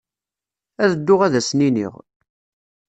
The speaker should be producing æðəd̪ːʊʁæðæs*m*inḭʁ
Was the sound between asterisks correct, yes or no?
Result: no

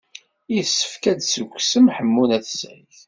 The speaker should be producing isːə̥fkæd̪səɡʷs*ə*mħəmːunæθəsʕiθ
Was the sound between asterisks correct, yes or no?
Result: yes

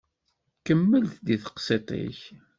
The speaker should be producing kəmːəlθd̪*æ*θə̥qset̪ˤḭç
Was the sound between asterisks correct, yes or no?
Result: no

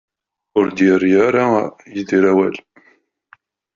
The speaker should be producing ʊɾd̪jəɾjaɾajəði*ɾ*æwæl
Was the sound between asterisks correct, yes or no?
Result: yes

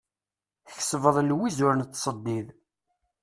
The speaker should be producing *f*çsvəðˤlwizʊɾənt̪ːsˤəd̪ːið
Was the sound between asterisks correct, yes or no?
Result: no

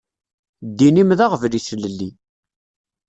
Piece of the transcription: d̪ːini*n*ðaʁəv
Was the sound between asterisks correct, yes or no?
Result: no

